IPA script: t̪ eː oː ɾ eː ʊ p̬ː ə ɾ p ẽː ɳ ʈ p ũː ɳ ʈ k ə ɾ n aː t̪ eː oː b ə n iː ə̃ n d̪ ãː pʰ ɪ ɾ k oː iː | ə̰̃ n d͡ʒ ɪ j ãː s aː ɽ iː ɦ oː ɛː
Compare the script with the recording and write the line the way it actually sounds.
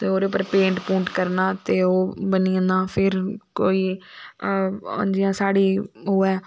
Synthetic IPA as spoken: t̪ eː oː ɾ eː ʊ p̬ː ə ɾ p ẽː ɳ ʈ p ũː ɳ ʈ k ə ɾ n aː t̪ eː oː b ə n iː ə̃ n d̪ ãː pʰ ɪ ɾ k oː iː | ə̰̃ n d͡ʒ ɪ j ãː s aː ɽ iː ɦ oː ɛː